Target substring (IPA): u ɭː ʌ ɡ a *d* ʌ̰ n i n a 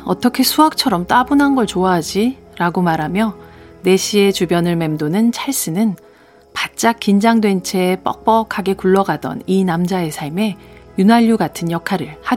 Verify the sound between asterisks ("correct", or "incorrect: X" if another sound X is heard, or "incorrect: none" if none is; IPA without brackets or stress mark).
correct